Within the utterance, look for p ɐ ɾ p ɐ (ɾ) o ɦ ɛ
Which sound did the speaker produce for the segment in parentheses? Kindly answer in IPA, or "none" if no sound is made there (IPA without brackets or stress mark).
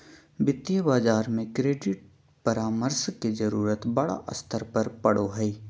ɽ